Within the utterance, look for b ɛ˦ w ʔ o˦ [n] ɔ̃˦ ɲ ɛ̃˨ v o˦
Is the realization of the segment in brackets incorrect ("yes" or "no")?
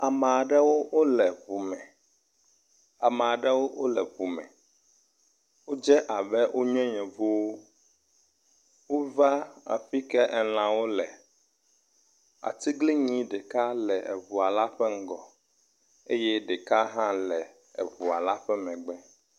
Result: yes